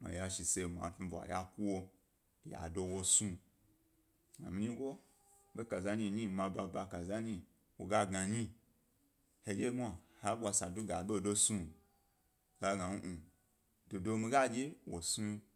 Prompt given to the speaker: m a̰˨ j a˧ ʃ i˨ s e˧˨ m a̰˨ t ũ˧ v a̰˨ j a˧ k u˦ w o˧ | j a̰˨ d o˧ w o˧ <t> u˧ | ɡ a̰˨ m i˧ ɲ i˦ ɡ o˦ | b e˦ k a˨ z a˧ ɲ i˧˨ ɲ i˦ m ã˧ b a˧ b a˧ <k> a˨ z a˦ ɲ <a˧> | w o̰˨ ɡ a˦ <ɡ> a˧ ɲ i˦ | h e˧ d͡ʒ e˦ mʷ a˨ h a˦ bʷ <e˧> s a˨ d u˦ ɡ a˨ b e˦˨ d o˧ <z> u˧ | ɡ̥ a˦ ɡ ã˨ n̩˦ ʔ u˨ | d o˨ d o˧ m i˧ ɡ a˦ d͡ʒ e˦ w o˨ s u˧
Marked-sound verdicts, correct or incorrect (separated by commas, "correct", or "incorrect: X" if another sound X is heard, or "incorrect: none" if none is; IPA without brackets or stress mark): incorrect: s, correct, incorrect: i˧, correct, incorrect: a˧, incorrect: s